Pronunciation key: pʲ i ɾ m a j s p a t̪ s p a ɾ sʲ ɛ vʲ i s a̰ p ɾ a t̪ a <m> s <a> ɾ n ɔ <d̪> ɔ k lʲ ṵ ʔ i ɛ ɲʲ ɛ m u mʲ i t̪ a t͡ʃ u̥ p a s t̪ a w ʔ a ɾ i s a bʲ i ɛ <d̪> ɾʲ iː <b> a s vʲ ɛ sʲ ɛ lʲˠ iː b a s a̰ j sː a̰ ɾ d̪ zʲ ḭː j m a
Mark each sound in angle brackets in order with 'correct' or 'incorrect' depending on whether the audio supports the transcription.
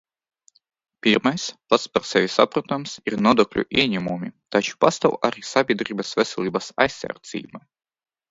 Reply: correct, incorrect: i, correct, correct, correct

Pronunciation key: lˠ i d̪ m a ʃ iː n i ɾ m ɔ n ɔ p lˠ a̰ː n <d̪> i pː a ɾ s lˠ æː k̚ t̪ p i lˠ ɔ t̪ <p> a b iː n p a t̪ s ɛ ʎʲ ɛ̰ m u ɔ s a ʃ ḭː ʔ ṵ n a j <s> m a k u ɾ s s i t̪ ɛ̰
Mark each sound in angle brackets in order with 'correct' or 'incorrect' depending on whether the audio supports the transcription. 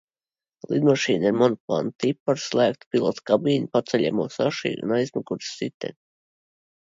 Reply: incorrect: t̪, incorrect: k, incorrect: z

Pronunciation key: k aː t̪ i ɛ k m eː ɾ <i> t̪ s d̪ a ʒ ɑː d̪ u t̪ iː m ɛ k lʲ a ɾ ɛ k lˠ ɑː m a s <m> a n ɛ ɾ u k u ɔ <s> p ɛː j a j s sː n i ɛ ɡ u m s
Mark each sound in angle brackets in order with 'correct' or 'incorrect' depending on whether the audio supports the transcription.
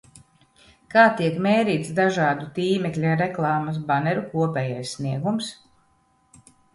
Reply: incorrect: iː, incorrect: b, incorrect: none

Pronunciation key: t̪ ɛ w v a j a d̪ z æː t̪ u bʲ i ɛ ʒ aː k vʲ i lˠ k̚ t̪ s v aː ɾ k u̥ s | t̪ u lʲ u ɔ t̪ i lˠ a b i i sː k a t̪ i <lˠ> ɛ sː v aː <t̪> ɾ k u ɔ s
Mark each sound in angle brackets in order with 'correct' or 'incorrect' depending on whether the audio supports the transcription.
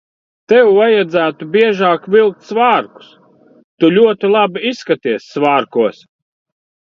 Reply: incorrect: none, incorrect: none

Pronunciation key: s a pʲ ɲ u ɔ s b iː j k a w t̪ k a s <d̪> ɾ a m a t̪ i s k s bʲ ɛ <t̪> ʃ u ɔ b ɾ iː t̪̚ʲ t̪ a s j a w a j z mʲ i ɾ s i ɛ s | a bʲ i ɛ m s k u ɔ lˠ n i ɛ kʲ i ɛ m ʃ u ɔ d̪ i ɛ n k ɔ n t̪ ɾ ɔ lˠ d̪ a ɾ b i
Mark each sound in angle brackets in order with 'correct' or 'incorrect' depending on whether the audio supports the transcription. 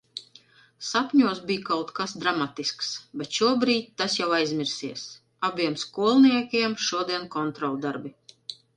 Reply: correct, correct

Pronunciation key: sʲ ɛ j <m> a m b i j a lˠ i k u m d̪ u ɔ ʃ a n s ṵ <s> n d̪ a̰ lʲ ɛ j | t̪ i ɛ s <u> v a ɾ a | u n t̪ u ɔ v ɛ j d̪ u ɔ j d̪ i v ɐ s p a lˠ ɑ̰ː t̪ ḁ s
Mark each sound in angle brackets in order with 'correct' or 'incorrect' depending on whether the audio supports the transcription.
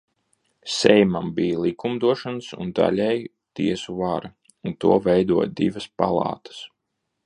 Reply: correct, incorrect: none, correct

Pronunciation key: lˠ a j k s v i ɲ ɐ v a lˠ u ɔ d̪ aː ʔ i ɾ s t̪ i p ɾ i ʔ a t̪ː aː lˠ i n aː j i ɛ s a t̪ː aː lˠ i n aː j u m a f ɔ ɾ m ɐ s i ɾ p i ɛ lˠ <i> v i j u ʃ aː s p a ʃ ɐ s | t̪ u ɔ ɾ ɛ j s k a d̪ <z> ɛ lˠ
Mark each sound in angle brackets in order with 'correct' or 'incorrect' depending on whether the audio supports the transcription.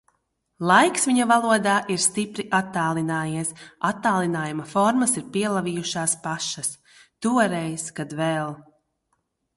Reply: incorrect: a, incorrect: v

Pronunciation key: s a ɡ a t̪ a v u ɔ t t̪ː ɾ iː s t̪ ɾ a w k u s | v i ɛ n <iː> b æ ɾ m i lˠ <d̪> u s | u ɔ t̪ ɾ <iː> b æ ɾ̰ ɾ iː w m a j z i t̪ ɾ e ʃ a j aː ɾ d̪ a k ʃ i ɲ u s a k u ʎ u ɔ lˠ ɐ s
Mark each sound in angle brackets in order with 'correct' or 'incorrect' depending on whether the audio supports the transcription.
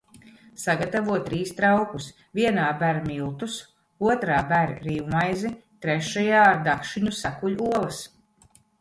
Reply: incorrect: aː, incorrect: t̪, incorrect: aː

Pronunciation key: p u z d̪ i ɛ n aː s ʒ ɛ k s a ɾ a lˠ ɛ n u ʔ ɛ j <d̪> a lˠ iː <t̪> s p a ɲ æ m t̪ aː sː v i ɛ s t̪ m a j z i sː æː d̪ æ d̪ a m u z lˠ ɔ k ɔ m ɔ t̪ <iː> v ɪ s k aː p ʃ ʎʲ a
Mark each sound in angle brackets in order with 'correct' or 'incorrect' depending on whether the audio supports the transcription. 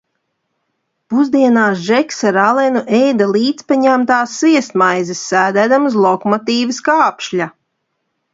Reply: correct, correct, correct

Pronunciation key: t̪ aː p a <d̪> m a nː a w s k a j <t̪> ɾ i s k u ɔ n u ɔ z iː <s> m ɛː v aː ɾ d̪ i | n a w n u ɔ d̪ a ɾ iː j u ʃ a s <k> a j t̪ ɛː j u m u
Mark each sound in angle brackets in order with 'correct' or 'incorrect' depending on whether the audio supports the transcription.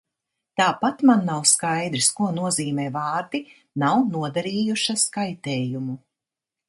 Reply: incorrect: t̪, incorrect: d̪, incorrect: none, correct

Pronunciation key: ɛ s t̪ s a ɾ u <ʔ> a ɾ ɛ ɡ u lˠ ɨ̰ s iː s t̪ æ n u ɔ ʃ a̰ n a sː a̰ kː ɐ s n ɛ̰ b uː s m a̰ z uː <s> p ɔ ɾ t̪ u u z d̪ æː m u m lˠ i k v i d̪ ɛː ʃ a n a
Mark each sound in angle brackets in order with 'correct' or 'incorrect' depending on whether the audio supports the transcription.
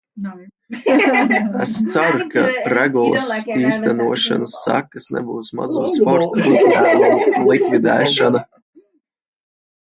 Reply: incorrect: k, correct

